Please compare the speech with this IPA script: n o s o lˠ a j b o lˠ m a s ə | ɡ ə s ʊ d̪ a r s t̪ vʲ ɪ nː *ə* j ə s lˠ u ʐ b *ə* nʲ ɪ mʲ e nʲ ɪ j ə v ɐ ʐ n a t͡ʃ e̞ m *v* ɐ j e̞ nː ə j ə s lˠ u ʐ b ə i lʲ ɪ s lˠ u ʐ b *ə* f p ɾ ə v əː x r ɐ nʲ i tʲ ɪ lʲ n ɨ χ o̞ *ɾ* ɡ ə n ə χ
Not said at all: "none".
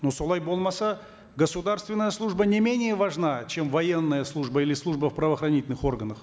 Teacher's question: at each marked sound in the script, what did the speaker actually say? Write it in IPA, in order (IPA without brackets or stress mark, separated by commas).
ə, ə, v, ə, r